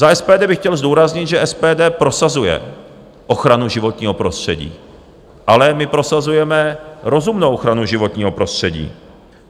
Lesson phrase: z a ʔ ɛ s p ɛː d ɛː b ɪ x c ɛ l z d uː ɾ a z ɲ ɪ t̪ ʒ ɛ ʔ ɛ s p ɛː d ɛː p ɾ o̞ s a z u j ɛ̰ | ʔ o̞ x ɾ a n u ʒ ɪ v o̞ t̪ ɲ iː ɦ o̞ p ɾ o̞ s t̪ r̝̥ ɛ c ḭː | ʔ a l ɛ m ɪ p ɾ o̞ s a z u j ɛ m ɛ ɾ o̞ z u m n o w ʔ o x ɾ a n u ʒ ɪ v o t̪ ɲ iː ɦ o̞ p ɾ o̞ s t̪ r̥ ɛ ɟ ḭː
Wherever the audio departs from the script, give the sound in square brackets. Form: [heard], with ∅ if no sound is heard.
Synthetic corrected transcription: z a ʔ ɛ s p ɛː d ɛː b ɪ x c ɛ l z d uː ɾ a z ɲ ɪ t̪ ʒ ɛ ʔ ɛ s p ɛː d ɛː p ɾ o̞ s a z u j ɛ̰ | ʔ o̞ x ɾ a n u ʒ ɪ v o̞ t̪ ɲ iː ɦ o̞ p ɾ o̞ s t̪ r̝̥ ɛ [ɟ] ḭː | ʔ a l ɛ m ɪ p ɾ o̞ s a z u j ɛ m ɛ ɾ o̞ z u m n o w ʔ o x ɾ a n u ʒ ɪ v o t̪ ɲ iː ɦ o̞ p ɾ o̞ s t̪ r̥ ɛ ɟ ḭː